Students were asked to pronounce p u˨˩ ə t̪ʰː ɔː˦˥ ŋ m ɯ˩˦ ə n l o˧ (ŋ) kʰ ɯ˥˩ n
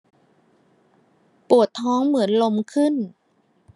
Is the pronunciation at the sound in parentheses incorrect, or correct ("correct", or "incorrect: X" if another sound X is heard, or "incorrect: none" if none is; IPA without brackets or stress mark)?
incorrect: m